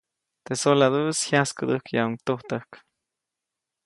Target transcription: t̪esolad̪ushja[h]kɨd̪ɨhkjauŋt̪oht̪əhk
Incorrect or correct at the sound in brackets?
incorrect: s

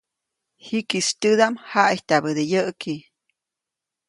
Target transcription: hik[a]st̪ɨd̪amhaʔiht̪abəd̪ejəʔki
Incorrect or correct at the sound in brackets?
incorrect: i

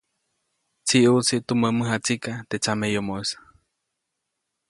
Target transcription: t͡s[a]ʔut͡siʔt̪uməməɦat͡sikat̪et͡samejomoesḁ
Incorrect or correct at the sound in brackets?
incorrect: i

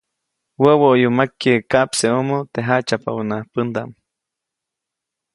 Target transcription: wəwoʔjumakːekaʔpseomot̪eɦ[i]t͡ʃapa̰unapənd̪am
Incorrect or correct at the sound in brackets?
incorrect: a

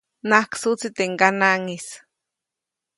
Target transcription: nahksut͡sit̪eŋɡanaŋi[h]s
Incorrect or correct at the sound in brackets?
incorrect: none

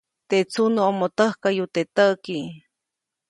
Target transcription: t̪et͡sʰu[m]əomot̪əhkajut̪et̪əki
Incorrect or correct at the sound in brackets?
incorrect: n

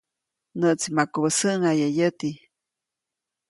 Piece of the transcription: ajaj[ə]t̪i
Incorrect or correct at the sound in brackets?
correct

